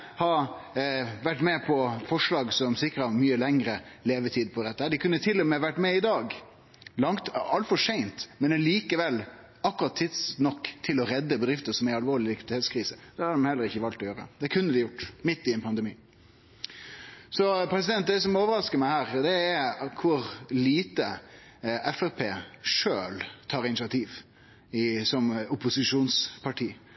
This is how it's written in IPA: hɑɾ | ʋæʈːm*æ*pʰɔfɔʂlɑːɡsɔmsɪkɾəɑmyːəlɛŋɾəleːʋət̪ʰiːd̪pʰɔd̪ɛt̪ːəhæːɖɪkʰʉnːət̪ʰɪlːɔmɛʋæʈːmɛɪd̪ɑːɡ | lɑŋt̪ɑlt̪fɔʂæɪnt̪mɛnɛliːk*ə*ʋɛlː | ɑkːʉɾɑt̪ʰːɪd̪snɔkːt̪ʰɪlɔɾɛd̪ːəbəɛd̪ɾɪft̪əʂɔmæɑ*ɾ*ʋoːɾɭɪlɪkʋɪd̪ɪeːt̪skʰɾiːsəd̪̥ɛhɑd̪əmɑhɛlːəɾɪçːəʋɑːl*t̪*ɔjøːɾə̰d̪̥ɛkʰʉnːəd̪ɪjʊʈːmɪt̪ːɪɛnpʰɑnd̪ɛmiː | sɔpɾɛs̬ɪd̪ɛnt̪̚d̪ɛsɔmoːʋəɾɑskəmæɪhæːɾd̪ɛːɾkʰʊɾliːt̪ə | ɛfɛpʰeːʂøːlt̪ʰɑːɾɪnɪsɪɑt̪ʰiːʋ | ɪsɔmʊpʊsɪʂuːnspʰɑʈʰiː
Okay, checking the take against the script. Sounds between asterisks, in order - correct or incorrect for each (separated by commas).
incorrect, correct, incorrect, correct